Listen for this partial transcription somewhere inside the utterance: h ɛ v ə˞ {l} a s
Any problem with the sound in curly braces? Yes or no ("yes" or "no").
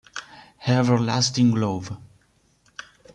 no